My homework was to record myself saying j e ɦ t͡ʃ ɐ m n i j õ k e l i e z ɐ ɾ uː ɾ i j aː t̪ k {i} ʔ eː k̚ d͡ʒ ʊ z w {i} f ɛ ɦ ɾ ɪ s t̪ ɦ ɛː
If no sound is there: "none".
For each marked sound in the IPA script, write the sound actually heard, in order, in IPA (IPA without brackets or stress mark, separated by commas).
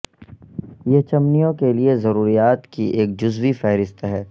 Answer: i, i